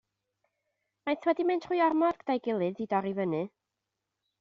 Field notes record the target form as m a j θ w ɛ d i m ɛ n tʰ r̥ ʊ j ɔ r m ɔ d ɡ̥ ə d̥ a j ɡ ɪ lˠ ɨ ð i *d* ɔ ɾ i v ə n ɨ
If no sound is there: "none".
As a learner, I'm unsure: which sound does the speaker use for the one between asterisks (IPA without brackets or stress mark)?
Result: d